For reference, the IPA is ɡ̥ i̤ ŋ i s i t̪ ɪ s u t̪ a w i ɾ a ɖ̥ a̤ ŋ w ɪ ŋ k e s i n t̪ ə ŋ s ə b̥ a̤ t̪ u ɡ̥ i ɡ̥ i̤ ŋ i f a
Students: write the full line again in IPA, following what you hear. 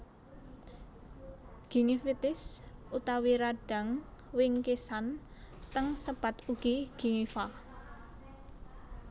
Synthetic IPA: ɡ̥ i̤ ŋ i f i t̪ ɪ s u t̪ a w i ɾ a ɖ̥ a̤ ŋ w ɪ ŋ k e s a n t̪ ə ŋ s ə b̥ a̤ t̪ u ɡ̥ i ɡ̥ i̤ ŋ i f a